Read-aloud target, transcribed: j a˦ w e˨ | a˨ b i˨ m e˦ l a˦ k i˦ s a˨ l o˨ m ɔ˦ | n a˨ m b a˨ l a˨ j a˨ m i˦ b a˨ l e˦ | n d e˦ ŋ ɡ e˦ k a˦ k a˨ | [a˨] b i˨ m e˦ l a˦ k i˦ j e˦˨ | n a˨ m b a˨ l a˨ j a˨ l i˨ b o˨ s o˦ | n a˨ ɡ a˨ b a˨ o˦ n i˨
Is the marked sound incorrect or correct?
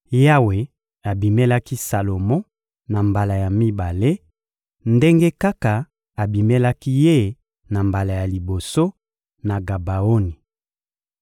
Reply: correct